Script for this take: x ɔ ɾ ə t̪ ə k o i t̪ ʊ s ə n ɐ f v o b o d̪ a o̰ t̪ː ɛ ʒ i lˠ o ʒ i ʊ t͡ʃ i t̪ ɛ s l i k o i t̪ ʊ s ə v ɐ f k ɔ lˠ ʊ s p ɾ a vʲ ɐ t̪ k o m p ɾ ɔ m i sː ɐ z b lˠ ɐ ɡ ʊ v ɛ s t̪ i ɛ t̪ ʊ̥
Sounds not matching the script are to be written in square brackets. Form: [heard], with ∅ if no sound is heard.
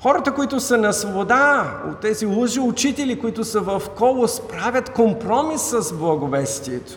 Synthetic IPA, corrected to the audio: x ɔ ɾ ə t̪ ə k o i t̪ ʊ s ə n ɐ [s] v o b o d̪ a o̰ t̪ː ɛ [z] i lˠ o ʒ i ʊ t͡ʃ i t̪ ɛ [∅] l i k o i t̪ ʊ s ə v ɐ f k ɔ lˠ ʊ s p ɾ a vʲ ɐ t̪ k o m p ɾ ɔ m i sː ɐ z b lˠ ɐ ɡ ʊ v ɛ s t̪ i ɛ t̪ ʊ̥